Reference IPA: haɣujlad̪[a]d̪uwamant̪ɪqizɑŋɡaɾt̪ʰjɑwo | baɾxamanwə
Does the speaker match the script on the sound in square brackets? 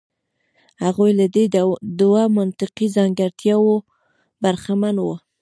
no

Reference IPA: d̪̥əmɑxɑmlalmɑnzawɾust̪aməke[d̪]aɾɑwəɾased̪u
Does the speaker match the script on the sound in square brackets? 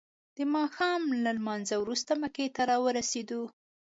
no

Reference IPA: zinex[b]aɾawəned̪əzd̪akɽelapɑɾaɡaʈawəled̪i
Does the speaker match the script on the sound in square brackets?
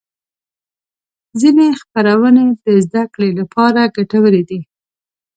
no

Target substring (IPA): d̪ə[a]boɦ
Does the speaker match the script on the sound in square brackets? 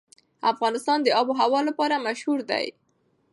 no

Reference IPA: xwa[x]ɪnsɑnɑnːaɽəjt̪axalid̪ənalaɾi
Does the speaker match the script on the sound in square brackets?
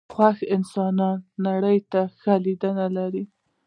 yes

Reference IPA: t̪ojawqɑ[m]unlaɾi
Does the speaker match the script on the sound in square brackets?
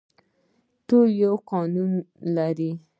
no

